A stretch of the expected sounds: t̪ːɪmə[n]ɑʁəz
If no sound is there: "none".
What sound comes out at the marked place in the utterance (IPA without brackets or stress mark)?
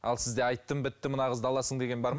n